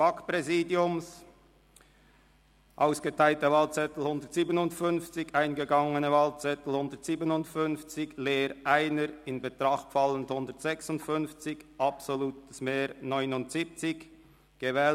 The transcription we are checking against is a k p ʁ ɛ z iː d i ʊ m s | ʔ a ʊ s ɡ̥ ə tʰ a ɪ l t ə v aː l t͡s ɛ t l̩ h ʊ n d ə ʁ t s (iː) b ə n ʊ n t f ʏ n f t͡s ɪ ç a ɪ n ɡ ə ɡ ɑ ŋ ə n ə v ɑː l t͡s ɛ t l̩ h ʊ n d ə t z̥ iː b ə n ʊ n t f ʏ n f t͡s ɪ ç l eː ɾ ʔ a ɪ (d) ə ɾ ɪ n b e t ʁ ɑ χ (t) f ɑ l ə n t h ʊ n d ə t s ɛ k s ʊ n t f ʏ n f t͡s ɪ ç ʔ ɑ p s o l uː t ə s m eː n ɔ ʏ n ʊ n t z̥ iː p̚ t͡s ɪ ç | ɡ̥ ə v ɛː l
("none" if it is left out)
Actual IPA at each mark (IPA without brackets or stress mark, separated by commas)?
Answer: iː, n, t